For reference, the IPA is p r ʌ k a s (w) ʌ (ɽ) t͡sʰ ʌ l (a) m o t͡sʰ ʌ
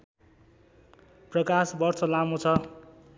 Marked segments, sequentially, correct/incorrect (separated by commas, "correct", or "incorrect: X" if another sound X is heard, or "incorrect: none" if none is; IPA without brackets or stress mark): incorrect: b, incorrect: r, correct